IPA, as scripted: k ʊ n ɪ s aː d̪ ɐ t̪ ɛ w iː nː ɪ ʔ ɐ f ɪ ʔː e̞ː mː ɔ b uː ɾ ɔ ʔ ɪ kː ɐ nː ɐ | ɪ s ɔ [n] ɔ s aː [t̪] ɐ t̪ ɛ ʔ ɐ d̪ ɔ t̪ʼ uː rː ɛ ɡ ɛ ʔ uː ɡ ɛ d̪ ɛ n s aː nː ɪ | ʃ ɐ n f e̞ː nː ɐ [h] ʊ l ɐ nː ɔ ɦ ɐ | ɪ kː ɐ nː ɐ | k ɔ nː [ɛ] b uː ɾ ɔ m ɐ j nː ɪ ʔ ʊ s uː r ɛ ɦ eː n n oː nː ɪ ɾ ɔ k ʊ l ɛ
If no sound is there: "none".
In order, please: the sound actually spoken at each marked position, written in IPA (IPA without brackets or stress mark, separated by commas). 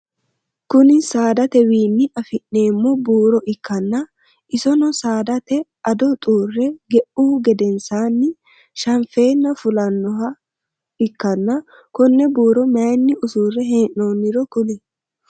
n, d̪, f, ɛ